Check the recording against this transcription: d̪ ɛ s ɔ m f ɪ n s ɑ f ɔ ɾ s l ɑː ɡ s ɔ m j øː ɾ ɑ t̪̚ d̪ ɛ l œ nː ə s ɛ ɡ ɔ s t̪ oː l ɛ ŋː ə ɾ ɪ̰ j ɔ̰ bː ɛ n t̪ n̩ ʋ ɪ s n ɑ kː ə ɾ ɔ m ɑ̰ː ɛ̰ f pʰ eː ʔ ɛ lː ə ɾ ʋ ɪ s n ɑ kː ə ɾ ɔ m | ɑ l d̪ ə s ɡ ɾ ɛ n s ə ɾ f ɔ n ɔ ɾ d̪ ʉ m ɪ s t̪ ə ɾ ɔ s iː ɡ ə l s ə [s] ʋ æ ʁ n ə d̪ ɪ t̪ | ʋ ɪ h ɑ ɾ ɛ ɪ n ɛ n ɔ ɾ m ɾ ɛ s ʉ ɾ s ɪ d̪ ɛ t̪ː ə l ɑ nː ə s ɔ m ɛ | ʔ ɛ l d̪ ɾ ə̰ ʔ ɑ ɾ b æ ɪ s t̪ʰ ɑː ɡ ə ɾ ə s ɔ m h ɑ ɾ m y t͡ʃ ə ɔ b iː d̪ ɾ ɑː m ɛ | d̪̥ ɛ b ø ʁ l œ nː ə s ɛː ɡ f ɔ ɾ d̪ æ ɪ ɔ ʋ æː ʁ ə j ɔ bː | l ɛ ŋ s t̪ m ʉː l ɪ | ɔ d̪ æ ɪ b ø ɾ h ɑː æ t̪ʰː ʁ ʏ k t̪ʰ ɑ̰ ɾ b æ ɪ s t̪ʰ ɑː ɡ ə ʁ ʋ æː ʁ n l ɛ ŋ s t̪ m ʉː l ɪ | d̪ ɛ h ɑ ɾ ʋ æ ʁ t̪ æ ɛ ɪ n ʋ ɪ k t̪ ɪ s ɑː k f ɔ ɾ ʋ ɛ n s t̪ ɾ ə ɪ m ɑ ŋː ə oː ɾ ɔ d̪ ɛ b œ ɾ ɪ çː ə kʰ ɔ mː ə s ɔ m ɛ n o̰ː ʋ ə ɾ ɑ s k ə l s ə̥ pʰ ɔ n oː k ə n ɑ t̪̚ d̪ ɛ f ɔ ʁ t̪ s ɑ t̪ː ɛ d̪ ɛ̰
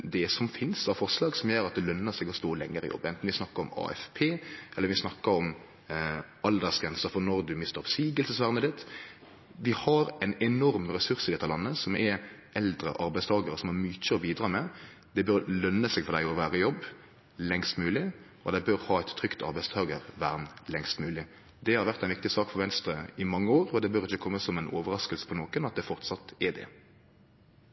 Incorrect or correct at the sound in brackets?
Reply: correct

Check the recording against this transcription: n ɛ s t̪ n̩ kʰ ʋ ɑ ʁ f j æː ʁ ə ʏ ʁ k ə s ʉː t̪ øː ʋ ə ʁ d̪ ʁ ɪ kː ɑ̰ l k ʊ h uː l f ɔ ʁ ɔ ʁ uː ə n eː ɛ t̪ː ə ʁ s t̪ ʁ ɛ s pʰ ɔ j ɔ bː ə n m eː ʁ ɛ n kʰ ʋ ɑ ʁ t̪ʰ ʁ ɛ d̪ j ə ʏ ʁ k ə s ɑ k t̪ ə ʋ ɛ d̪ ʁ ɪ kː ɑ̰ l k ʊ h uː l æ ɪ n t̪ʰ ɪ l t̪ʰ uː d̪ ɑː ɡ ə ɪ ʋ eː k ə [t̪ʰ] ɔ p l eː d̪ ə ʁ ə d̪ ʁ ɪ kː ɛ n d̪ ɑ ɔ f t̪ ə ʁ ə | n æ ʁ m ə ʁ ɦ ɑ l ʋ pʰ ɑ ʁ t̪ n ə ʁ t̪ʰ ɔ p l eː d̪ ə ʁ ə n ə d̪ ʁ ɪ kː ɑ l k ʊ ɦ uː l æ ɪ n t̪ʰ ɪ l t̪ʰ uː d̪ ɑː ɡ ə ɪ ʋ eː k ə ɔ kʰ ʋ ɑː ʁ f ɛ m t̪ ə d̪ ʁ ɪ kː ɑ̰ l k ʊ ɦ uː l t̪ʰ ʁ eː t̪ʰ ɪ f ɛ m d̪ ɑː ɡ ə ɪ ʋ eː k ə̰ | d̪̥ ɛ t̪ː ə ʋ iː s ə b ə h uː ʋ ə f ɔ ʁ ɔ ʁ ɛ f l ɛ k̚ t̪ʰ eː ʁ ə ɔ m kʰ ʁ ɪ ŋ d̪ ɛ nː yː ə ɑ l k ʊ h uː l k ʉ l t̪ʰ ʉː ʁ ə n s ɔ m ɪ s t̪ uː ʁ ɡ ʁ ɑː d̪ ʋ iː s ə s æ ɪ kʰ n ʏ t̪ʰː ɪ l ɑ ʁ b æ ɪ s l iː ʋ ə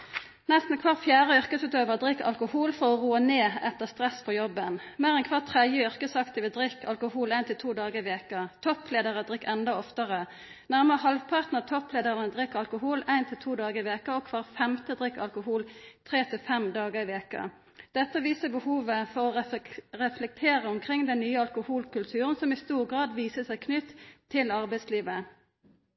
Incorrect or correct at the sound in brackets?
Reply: correct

